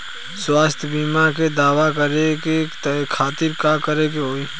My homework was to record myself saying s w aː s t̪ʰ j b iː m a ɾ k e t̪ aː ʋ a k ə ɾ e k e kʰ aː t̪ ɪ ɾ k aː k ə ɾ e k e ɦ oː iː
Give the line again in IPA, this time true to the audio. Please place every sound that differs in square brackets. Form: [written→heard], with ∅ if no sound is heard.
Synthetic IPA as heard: s w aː s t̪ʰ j b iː m a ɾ k e [t̪→d̪] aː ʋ a k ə ɾ e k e kʰ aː t̪ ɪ ɾ k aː k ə ɾ e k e ɦ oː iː